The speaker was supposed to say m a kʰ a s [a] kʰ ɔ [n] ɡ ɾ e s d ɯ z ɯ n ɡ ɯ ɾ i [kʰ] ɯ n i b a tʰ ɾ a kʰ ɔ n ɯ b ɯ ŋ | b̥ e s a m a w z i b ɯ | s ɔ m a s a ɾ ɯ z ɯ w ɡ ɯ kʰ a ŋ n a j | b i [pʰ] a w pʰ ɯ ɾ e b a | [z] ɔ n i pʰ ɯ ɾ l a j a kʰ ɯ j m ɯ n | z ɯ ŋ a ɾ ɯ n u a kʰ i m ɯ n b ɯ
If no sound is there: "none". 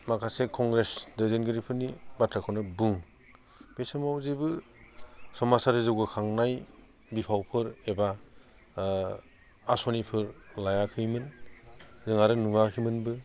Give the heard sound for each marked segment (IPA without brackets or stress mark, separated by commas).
e, ŋ, pʰ, pʰ, s